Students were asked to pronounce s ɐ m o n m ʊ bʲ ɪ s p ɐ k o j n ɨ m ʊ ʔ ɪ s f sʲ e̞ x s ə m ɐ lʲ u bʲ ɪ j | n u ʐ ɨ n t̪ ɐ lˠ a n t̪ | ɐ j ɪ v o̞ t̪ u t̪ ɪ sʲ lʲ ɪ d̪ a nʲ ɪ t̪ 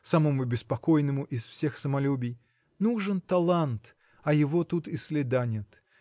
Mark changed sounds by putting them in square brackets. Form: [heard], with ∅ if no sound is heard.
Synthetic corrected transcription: s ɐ m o [∅] m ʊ bʲ ɪ s p ɐ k o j n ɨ m ʊ ʔ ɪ s f sʲ e̞ x s ə m ɐ lʲ u bʲ ɪ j | n u ʐ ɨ n t̪ ɐ lˠ a n t̪ | ɐ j ɪ v o̞ t̪ u t̪ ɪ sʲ lʲ ɪ d̪ a nʲ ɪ t̪